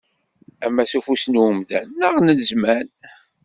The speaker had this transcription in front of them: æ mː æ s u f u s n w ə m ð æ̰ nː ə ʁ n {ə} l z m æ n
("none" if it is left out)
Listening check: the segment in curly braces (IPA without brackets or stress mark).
ə